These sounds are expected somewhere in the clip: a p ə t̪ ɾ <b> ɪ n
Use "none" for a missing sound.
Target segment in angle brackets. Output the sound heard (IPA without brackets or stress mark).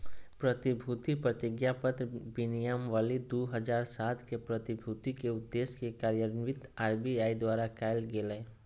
b